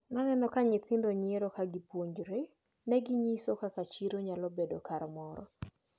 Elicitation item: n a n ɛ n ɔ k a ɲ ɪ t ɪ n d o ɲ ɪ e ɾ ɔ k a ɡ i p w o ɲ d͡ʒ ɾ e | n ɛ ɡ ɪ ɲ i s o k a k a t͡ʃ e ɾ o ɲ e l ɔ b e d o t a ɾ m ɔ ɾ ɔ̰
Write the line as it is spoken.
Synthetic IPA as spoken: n a n ɛ n ɔ k a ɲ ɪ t ɪ n d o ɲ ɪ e ɾ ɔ k a ɡ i p w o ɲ d͡ʒ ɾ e | n ɛ ɡ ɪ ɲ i s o k a k a t͡ʃ i ɾ o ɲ a l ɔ b e d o k a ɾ m ɔ ɾ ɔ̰

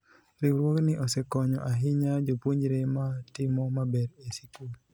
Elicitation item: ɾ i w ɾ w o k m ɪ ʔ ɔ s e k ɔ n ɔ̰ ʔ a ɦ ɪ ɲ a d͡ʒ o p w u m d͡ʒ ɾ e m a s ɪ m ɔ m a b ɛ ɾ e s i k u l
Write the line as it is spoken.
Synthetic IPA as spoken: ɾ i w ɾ w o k n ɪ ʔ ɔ s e k ɔ ɲ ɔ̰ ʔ a ɦ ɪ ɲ a d͡ʒ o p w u ɲ d͡ʒ ɾ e m a t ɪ m ɔ m a b ɛ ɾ e s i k u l

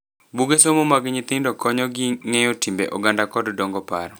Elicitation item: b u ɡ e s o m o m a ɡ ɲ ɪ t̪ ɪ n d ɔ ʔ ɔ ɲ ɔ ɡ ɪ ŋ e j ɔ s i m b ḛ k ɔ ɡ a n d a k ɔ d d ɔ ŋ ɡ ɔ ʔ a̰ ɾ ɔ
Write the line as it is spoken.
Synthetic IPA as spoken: b u ɡ e s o m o m a ɡ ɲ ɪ t̪ ɪ n d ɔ k ɔ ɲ ɔ ɡ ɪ ŋ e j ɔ t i m b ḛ ʔ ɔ ɡ a n d a k ɔ d d ɔ ŋ ɡ ɔ p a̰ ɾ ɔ

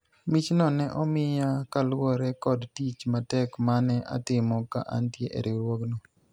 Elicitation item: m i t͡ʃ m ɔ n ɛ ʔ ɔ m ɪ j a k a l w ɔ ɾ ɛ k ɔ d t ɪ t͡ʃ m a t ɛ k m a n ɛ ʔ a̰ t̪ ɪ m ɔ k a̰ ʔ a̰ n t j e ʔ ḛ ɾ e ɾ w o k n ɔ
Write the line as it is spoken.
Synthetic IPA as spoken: m i t͡ʃ n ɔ n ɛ ʔ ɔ m ɪ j a k a l w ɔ ɾ ɛ k ɔ d t i t͡ʃ m a t ɛ k m a n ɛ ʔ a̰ t̪ ɪ m ɔ k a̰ ʔ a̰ n t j e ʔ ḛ ɾ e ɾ w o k n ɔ

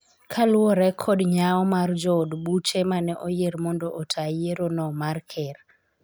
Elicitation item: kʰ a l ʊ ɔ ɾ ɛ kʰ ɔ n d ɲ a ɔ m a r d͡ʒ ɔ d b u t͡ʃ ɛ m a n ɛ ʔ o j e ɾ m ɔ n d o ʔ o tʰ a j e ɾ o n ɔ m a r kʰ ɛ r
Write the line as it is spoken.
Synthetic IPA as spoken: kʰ a l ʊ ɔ ɾ ɛ kʰ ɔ d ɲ a ɔ m a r d͡ʒ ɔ d b u t͡ʃ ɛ m a n ɛ ʔ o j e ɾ m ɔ n d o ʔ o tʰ a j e ɾ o n ɔ m a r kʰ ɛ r

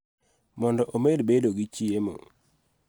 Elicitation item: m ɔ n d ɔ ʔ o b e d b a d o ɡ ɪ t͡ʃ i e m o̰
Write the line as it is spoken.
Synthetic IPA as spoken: m ɔ n d ɔ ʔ o m e d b e d o ɡ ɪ t͡ʃ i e m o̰

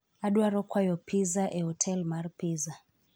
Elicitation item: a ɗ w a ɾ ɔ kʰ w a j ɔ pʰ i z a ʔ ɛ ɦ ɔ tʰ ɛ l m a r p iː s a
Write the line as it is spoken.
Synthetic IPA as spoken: a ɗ w a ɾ ɔ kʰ w a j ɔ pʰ i z a ʔ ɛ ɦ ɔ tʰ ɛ l m a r p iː z a

